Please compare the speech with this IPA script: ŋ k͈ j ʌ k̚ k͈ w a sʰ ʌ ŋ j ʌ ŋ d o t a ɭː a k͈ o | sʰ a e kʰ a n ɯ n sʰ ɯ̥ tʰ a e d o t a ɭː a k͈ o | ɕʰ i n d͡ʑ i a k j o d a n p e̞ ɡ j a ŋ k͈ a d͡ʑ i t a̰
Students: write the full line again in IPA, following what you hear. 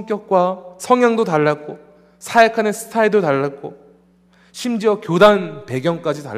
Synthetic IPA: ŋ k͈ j ʌ k̚ k͈ w a sʰ ʌ ŋ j a ŋ d o t a ɭː a k͈ o | sʰ a e kʰ a n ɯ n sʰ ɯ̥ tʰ a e d o t a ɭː a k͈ o | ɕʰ i m d͡ʑ i ʌ k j o d a n p e̞ ɡ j ʌ ŋ k͈ a d͡ʑ i t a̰